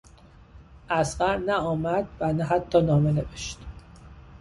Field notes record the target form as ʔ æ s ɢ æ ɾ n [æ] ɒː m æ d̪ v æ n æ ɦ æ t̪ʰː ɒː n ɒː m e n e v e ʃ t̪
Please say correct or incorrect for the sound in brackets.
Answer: correct